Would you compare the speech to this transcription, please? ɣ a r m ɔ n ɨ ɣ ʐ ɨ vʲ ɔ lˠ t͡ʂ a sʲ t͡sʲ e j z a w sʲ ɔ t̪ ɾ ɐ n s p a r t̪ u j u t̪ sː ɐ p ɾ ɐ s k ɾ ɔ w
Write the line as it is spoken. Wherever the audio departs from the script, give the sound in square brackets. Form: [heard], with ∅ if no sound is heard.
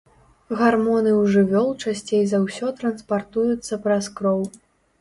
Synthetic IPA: ɣ a r m ɔ n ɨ [w] ʐ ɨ vʲ ɔ lˠ t͡ʂ a sʲ t͡sʲ e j z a w sʲ ɔ t̪ ɾ ɐ n s p a r t̪ u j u t̪ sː ɐ p ɾ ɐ s k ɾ ɔ w